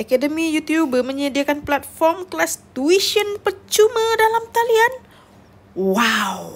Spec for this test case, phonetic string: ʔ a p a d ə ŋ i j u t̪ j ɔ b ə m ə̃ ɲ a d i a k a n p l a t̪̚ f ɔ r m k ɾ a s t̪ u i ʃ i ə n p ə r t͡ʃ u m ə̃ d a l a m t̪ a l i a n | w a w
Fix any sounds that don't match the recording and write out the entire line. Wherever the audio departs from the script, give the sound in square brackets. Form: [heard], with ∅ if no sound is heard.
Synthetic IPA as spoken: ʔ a [k] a d ə [m] i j u t̪ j [u] b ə m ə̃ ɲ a d i a k a n p l a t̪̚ f ɔ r m k [l] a s t̪ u i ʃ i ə n p ə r t͡ʃ u m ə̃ d a l a m t̪ a l i a n | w a w